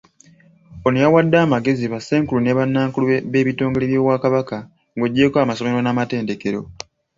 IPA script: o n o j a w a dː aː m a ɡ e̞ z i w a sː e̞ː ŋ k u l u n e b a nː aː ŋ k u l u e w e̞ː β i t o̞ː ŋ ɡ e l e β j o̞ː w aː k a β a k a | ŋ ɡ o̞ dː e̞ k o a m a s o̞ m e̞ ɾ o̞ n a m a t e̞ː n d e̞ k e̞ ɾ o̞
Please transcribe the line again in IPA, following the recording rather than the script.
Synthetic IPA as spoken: o n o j a w a dː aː m a ɡ e̞ z i β a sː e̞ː ŋ k u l u n e β a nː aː ŋ k u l u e β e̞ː β i t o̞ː ŋ ɡ e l e β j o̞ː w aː k a β a k a | ŋ ɡ o̞ ɟː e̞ k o a m a s o̞ m e̞ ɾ o̞ n a m a t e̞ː n d e̞ k e̞ ɾ o̞